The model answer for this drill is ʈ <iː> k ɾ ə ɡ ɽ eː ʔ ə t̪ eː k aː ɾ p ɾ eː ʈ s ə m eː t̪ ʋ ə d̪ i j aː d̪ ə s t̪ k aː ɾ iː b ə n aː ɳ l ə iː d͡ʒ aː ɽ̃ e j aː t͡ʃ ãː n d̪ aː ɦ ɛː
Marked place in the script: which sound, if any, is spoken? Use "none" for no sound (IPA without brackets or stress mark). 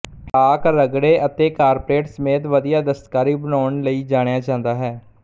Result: aː